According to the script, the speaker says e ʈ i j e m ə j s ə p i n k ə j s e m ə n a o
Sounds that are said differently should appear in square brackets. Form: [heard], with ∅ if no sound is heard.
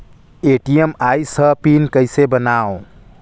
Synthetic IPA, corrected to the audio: e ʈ i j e m [a] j s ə p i n k ə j s e [b] ə n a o